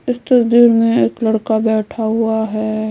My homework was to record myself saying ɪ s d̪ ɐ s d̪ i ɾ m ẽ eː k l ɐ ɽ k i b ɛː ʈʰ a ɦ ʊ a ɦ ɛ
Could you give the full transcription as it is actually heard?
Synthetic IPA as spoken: ɪ s t̪ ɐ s d̪ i ɾ m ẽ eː k l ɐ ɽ k a b ɛː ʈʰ a ɦ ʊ a ɦ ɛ